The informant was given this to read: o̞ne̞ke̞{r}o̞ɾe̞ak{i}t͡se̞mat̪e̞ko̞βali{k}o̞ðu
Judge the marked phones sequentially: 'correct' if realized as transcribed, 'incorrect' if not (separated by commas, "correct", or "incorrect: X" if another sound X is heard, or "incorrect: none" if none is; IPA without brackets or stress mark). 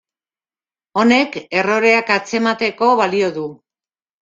correct, incorrect: a, incorrect: none